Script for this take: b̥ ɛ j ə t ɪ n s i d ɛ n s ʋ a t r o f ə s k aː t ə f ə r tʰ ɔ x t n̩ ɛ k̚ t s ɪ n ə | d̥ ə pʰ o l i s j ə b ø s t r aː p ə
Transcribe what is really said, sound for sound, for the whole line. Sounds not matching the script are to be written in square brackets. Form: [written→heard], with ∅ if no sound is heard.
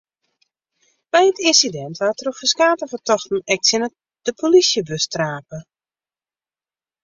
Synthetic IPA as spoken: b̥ ɛ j ə t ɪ n s i d ɛ n [s→t] ʋ a t r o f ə s k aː t ə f ə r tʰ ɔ x t n̩ ɛ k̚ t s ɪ n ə | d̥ ə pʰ o l i s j ə b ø s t r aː p ə